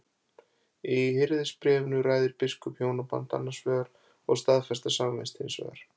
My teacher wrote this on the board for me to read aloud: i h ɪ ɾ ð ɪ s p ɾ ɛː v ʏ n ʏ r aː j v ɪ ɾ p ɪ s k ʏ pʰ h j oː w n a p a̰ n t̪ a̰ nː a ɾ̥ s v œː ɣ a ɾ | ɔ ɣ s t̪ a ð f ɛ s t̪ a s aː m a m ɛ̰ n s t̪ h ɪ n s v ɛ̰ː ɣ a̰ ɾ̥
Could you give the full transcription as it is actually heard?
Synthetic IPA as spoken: i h ɪ ɾ ð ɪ s p ɾ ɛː v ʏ n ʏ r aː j ð ɪ ɾ p ɪ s k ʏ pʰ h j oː w n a p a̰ n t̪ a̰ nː a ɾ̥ s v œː ɣ a ɾ | ɔ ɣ s t̪ a ð f ɛ s t̪ a s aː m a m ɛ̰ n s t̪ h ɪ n s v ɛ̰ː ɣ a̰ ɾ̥